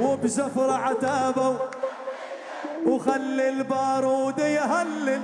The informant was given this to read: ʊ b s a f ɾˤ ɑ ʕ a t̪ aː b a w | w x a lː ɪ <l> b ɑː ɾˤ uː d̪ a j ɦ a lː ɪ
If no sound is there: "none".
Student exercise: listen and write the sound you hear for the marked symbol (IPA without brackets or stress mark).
l